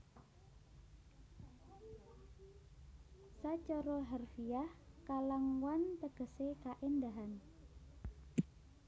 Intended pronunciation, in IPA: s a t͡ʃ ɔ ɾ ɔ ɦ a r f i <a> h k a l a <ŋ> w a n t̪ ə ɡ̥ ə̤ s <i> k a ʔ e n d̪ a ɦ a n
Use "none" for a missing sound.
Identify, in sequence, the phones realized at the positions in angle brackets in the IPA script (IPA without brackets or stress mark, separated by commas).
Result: a, ŋ, e